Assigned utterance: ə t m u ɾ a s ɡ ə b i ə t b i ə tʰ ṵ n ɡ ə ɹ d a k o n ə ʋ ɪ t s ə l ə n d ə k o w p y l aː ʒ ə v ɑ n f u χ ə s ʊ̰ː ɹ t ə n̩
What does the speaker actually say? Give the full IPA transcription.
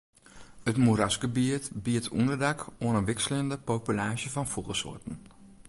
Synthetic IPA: ə t m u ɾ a s ɡ ə b i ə t b i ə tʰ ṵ n d ə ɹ d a k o n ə ʋ ɪ k s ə l ə n d ə p o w p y l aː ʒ ə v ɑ n f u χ ə s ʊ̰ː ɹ t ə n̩